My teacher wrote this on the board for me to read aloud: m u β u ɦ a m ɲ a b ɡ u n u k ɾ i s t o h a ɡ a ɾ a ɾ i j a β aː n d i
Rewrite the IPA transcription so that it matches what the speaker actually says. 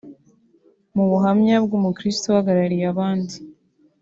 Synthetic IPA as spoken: m u β u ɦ a m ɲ a b ɡ u m u k ɾ i s t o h a ɡ a ɾ a ɾ i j a β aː n d i

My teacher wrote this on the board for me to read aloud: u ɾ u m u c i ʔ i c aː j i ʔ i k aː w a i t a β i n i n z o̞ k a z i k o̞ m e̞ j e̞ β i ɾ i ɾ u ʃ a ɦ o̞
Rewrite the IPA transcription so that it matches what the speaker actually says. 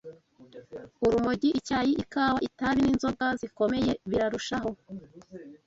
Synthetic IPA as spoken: u ɾ u m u ɟ i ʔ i c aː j i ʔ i k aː w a i t a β i n i n z o̞ ɡ a z i k o̞ m e̞ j e̞ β i ɾ a ɾ u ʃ a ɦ o̞

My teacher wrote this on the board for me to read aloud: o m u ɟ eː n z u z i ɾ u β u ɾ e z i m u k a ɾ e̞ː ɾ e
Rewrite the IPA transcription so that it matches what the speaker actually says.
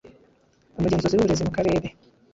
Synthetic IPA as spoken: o m u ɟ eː n z o z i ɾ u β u ɾ e z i m u k a ɾ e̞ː ɾ e

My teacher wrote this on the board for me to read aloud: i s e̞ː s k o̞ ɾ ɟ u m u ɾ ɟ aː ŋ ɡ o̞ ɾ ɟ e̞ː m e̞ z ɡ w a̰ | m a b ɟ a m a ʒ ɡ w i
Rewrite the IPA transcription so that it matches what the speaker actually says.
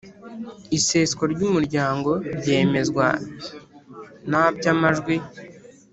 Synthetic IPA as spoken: i s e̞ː s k o̞ ɾ ɟ u m u ɾ ɟ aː ŋ ɡ o̞ ɾ ɟ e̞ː m e̞ z ɡ w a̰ | n a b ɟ a m a ʒ ɡ w i

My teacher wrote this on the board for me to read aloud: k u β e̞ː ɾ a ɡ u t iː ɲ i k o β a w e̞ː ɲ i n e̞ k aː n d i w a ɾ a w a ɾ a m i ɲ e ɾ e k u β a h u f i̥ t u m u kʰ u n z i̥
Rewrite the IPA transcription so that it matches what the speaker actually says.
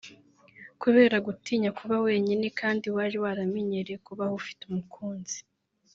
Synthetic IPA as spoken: k u β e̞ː ɾ a ɡ u t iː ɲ a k u β a w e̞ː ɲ i n e̞ k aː n d i w a ɾ i w a ɾ a m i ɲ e ɾ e k u β a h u f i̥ t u m u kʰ uː n z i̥

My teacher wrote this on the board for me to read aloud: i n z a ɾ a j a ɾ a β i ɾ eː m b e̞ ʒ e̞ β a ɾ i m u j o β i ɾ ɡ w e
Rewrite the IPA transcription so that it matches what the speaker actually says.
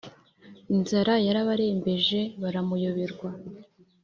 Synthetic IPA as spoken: i n z a ɾ a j a ɾ a β a ɾ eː m b e̞ ʒ e̞ β a ɾ a m u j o β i ɾ ɡ w a

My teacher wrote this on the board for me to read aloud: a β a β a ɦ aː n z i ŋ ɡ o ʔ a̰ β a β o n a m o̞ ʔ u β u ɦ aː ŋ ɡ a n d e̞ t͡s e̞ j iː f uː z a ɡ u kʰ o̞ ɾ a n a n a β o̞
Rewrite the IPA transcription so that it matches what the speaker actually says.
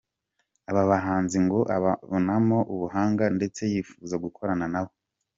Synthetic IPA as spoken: a β a β a ɦ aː n z i ŋ ɡ o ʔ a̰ β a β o n a m o̞ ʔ u β u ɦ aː ŋ ɡ a n d e̞ t͡s e̞ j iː f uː z a ɡ u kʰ o̞ ɾ a n a n a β o̞

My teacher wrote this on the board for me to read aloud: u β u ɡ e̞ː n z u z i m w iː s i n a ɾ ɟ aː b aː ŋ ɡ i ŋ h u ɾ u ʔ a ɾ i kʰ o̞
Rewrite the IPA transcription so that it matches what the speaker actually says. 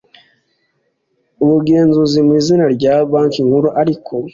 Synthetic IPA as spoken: u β u ɡ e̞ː n z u z i m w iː z i n a ɾ ɟ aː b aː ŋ k i ŋ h u ɾ u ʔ a ɾ i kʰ o̞

